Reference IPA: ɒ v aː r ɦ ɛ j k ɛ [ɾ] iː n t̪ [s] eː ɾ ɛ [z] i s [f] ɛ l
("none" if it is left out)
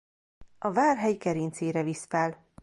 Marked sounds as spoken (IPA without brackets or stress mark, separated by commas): ɾ, s, v, f